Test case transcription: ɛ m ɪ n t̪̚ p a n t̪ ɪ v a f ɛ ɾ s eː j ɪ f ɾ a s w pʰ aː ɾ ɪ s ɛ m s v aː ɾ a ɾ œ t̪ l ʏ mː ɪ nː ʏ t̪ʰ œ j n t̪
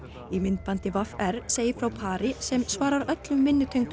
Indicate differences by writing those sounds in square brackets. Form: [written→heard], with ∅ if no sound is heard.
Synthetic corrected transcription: [ɛ→i] m ɪ n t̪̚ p a n t̪ ɪ v a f ɛ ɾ s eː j ɪ f ɾ a [s→∅] w pʰ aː ɾ ɪ s ɛ m s v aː ɾ a ɾ œ t̪ l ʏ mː ɪ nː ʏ t̪ʰ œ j [n→ŋ] t̪